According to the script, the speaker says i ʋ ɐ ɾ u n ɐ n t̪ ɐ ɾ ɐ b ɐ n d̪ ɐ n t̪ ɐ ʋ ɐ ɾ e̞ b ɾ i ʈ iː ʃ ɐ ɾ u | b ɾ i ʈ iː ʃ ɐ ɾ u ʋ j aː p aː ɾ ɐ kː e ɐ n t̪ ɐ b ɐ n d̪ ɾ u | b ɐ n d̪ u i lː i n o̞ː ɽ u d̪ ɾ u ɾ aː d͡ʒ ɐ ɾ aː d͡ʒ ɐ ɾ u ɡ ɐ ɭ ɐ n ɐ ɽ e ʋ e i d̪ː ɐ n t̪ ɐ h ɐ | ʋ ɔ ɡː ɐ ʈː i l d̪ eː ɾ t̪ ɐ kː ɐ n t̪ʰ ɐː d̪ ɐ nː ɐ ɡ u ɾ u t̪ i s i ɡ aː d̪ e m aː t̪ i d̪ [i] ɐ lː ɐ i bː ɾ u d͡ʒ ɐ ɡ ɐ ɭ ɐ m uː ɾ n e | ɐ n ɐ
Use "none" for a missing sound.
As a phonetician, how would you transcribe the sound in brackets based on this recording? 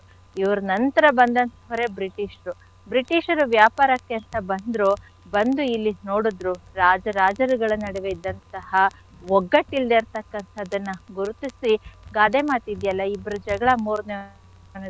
j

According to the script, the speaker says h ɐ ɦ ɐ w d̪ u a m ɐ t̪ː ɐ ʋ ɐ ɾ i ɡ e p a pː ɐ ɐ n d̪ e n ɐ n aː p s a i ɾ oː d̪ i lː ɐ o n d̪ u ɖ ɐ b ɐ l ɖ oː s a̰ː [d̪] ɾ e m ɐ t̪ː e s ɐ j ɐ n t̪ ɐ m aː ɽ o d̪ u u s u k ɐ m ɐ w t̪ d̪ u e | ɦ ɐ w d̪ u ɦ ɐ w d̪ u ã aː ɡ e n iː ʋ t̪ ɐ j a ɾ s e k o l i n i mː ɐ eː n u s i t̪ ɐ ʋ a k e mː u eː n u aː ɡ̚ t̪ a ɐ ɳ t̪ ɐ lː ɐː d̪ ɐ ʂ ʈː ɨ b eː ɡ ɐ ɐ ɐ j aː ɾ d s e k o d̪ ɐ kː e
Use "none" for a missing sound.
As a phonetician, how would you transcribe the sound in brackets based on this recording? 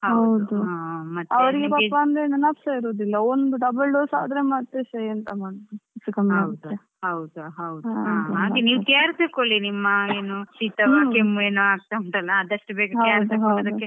d̪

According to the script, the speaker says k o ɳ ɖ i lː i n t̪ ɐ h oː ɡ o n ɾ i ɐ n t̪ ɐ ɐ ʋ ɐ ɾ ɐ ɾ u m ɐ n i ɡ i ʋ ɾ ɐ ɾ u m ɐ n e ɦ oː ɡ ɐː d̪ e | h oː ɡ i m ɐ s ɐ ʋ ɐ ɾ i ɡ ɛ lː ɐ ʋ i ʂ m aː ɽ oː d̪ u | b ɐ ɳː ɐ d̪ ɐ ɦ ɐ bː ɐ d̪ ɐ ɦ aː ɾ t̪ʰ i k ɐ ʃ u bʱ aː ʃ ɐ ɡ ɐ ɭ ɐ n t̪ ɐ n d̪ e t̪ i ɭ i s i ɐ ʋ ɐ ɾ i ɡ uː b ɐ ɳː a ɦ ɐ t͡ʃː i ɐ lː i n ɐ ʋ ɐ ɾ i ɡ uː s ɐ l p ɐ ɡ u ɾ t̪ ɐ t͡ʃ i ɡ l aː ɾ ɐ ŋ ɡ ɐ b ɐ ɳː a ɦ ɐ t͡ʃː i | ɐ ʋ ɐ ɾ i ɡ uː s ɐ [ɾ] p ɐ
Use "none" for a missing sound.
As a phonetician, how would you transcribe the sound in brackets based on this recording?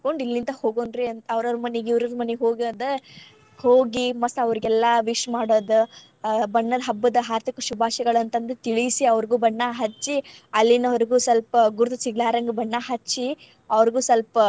l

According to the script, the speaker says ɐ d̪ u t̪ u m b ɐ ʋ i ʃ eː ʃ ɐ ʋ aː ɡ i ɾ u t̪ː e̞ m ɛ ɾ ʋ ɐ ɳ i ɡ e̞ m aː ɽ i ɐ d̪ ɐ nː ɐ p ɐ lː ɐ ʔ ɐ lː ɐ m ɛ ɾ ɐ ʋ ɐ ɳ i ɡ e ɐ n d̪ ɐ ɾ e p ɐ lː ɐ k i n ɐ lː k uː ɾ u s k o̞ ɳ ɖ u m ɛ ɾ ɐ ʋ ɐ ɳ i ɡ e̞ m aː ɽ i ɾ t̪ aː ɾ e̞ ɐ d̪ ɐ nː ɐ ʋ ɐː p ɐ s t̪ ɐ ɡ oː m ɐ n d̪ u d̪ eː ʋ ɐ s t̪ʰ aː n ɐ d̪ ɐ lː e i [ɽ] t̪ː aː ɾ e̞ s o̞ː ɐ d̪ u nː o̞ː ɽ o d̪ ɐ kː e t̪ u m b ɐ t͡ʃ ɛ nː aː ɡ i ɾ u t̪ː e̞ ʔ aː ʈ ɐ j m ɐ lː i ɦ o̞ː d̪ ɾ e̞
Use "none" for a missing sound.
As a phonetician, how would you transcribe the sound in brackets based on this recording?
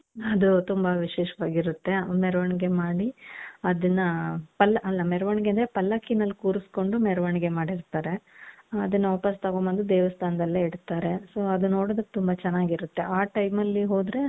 ɽ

